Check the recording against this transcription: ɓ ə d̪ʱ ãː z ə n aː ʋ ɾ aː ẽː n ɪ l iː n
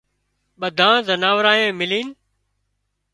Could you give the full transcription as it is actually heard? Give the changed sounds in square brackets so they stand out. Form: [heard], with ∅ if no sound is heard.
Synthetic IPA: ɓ ə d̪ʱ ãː z ə n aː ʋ ɾ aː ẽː [m] ɪ l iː n